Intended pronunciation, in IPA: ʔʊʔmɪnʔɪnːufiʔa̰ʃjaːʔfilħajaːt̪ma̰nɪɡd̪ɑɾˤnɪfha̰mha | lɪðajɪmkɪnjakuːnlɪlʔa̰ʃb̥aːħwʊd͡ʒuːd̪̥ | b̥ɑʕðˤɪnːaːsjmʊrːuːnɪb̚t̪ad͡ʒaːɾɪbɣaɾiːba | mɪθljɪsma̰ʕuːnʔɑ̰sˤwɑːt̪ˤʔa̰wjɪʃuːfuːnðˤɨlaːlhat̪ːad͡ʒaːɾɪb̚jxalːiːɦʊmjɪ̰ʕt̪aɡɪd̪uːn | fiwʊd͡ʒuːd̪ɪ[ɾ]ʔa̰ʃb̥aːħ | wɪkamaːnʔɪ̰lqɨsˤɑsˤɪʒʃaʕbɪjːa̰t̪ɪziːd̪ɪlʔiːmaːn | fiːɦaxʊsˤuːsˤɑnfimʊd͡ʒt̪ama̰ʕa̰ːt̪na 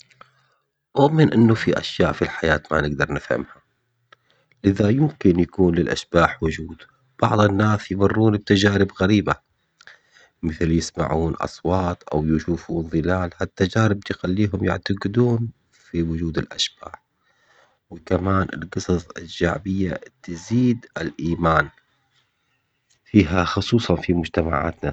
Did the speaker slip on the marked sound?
yes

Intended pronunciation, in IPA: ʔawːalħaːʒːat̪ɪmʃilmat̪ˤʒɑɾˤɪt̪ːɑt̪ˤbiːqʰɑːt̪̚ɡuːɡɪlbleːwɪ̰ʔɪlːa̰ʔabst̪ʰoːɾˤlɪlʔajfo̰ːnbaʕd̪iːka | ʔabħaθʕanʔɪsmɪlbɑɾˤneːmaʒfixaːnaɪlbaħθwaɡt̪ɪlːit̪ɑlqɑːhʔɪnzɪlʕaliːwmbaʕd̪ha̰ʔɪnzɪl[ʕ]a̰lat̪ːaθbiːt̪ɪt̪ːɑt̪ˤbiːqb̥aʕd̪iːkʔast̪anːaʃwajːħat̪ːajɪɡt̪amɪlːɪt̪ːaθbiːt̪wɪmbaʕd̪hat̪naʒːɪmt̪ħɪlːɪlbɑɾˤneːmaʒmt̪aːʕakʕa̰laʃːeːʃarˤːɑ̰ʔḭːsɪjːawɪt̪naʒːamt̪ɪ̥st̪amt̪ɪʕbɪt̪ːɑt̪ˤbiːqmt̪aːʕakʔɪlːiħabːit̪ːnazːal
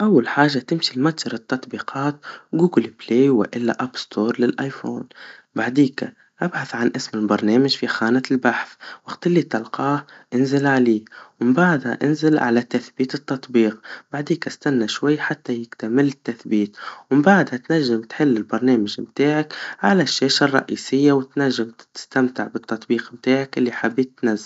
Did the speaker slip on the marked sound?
no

